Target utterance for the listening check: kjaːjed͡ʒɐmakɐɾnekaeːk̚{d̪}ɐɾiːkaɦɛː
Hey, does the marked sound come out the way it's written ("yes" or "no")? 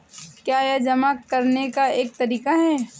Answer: no